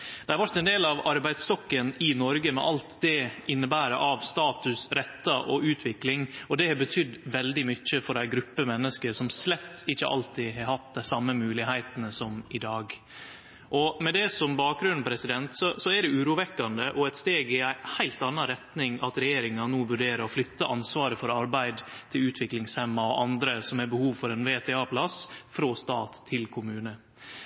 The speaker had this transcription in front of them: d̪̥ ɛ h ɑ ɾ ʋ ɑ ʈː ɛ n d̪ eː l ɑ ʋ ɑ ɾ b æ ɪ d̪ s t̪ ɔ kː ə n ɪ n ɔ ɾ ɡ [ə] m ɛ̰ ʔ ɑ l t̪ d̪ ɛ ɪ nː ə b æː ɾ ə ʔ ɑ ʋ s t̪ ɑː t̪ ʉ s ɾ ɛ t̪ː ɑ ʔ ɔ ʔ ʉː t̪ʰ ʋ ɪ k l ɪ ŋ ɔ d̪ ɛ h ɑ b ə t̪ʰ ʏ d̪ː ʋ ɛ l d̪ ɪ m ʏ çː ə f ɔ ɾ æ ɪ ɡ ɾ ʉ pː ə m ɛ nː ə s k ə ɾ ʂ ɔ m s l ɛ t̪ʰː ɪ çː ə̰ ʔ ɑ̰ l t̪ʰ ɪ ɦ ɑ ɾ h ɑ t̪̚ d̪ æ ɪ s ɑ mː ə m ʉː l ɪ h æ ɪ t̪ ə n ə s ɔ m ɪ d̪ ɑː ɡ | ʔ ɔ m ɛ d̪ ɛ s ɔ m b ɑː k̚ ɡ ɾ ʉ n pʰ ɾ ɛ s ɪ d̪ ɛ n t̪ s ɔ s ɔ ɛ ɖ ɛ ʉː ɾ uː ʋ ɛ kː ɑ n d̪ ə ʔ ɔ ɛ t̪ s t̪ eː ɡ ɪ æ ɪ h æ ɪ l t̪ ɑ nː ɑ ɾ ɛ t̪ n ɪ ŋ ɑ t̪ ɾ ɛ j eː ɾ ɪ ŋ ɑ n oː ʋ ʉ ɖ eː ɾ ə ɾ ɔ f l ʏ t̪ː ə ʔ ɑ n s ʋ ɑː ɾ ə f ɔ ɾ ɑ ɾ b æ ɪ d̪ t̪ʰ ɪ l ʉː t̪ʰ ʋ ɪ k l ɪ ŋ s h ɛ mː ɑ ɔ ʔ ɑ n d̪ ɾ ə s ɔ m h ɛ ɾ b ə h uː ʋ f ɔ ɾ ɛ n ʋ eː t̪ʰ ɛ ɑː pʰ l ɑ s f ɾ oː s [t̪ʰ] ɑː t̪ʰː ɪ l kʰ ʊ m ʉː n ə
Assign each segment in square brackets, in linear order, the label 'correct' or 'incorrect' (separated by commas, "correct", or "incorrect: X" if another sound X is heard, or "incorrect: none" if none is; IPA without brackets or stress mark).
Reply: correct, incorrect: t̪